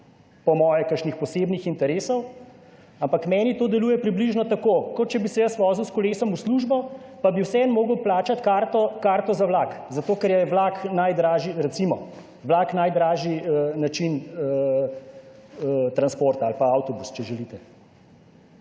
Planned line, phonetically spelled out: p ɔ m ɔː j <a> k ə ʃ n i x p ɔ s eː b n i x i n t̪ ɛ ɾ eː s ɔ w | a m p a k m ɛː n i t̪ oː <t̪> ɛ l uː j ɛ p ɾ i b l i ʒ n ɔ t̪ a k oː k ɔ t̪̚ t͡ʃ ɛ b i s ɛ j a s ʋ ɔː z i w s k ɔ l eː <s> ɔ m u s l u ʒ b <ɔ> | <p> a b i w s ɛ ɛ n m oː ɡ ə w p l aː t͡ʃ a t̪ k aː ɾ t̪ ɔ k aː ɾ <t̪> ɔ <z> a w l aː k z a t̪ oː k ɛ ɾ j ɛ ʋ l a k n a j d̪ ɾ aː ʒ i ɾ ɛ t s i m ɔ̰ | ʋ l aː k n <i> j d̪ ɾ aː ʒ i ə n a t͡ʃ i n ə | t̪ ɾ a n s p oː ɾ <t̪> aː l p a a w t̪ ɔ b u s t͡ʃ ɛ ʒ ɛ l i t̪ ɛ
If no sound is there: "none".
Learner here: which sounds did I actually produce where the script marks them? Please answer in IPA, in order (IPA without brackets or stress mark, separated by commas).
ɛ, d̪, s, ɔ, p, t̪, z, a, t̪